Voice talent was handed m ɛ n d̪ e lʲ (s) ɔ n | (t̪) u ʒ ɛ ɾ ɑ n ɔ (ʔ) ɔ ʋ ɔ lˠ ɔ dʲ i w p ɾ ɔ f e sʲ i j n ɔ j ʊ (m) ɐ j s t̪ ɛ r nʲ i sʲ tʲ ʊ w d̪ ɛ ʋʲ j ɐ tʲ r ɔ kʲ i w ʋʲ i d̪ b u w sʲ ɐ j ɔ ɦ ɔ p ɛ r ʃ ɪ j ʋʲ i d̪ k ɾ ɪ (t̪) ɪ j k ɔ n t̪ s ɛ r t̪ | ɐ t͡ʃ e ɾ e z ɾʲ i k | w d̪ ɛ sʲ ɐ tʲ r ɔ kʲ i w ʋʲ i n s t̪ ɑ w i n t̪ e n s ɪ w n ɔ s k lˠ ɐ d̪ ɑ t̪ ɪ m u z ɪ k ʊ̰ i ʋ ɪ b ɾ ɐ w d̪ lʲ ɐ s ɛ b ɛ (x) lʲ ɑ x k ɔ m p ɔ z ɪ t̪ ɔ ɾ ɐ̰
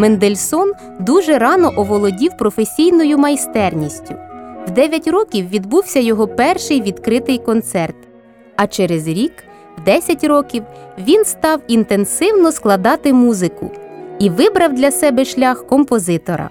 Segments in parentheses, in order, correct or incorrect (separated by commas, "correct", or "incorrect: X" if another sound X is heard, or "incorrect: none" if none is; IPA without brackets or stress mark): correct, incorrect: d̪, correct, correct, correct, incorrect: ʃ